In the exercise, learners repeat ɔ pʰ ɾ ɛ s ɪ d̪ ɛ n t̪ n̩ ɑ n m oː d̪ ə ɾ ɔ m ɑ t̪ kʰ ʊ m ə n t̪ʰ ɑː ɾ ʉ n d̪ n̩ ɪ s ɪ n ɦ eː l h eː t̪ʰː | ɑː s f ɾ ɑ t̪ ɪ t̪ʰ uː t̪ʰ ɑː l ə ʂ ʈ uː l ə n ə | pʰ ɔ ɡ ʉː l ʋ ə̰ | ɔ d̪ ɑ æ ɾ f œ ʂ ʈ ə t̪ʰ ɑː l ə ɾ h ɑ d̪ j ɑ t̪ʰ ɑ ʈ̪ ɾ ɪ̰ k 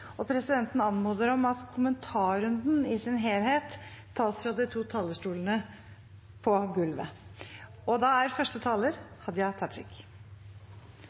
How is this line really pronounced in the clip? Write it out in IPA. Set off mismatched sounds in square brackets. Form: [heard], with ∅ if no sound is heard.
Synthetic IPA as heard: ɔ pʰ ɾ ɛ s ɪ d̪ ɛ n t̪ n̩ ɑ n m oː d̪ ə ɾ ɔ m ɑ t̪ kʰ ʊ m ə n t̪ʰ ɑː ɾ ʉ n d̪ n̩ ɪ s ɪ n ɦ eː l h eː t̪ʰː | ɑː s f ɾ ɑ [d̪] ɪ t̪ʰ uː t̪ʰ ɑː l ə ʂ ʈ uː l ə n ə | pʰ ɔ ɡ [ʉ] l ʋ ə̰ | ɔ d̪ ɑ æ ɾ f œ ʂ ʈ ə t̪ʰ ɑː l ə ɾ h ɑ d̪ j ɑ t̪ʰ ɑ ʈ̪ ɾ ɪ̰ k